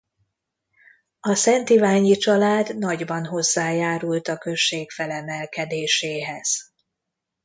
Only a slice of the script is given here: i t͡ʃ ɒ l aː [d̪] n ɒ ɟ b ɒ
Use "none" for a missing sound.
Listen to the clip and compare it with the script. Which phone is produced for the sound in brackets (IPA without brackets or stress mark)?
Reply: d̪